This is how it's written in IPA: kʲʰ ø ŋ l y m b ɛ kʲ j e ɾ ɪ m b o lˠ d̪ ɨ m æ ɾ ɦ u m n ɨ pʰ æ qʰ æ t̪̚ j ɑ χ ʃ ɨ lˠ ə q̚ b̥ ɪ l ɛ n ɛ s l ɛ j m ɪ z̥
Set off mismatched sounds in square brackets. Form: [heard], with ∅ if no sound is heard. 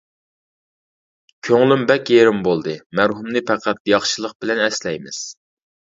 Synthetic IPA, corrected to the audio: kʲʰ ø ŋ l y m b ɛ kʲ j e ɾ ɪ m b o lˠ d̪ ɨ m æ ɾ ɦ u m n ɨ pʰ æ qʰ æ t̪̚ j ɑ χ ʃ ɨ lˠ ə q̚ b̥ ɪ l ɛ n ɛ s l ɛ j m ɪ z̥